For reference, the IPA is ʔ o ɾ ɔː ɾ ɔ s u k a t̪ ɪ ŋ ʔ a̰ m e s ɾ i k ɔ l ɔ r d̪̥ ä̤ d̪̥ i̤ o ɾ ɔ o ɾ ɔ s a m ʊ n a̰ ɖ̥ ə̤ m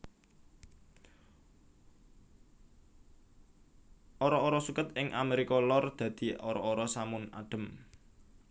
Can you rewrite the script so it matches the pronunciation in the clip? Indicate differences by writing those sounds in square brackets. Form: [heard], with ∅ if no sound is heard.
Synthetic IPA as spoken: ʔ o ɾ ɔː ɾ ɔ s u k [ə] t̪ ɪ ŋ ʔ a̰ m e [∅] ɾ i k ɔ l ɔ r d̪̥ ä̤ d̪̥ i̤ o ɾ ɔ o ɾ ɔ s a m ʊ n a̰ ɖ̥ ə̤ m